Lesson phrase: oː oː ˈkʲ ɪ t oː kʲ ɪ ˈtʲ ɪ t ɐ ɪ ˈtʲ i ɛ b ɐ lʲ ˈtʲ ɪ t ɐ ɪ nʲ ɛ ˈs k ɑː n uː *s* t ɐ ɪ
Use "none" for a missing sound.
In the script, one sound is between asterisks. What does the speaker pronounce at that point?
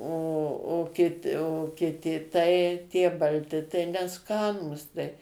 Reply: s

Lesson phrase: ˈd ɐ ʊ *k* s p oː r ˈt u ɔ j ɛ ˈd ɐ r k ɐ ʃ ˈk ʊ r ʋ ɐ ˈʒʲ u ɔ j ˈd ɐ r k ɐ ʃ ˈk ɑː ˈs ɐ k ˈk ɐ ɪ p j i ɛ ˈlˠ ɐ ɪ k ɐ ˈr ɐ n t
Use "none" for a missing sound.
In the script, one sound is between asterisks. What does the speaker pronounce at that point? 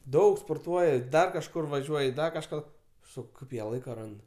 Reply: k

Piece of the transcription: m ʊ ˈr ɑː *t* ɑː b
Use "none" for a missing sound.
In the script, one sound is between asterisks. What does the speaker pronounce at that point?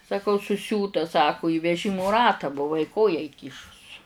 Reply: t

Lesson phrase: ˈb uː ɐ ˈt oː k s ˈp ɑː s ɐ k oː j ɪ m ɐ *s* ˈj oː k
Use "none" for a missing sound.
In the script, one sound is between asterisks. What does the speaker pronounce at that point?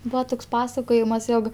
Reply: s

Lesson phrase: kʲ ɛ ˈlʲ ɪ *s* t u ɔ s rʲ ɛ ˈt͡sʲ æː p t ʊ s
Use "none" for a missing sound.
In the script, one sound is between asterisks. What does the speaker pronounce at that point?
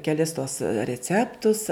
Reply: s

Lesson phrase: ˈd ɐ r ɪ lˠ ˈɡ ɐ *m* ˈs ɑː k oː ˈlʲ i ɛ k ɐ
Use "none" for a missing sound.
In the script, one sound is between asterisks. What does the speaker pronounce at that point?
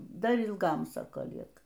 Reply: m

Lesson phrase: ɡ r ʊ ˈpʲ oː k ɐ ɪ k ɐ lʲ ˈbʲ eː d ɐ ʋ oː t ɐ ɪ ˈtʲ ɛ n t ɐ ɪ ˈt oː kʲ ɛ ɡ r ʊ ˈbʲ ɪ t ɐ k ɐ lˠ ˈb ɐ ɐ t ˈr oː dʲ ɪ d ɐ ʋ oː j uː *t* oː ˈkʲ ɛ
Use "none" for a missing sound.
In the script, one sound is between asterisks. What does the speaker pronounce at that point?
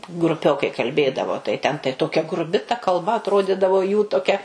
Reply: t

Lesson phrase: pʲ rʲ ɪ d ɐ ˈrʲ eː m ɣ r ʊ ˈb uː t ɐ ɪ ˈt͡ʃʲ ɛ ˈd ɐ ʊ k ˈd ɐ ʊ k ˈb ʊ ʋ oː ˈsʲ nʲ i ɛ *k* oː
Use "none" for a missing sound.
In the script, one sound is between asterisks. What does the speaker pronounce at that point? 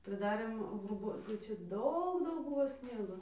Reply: ɡ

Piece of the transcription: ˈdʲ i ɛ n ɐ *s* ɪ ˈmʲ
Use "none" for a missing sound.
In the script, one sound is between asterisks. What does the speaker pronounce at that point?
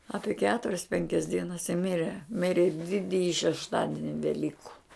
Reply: s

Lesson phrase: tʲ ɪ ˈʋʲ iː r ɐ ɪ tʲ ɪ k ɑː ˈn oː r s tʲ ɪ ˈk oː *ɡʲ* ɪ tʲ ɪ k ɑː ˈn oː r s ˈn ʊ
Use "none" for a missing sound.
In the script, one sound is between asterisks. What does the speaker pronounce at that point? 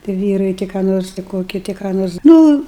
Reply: kʲ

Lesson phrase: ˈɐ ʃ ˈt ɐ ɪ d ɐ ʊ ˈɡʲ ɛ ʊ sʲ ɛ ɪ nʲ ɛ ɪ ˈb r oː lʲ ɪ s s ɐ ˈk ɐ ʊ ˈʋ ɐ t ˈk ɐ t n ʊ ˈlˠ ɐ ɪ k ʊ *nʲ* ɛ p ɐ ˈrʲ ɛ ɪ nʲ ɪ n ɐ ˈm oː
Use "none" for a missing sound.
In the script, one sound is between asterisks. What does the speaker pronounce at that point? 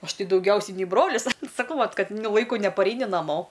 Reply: nʲ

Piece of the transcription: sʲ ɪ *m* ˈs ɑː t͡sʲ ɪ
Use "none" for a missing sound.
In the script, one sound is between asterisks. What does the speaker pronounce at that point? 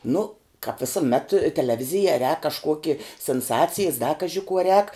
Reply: n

